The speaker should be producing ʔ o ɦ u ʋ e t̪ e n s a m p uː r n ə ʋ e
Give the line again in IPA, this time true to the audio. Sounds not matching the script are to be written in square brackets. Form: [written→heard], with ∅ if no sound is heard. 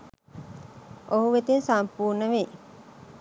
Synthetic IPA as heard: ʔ o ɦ u ʋ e t̪ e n s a m p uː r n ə ʋ e